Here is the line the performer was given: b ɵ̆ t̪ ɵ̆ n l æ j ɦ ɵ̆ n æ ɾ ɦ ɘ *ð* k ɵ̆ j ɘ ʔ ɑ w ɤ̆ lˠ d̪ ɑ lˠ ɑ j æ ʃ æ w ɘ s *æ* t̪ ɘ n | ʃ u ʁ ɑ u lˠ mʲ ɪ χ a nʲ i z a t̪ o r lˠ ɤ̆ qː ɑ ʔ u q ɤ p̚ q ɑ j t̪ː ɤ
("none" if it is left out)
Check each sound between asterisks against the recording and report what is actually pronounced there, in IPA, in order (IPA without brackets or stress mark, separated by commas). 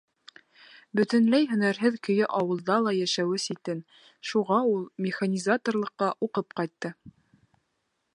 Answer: ð, i